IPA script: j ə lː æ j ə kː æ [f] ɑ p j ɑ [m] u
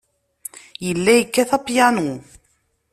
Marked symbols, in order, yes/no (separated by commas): no, no